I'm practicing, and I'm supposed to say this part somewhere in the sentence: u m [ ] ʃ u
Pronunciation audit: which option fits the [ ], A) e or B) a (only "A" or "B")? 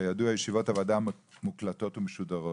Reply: A